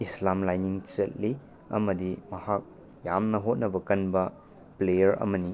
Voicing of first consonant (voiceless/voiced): voiceless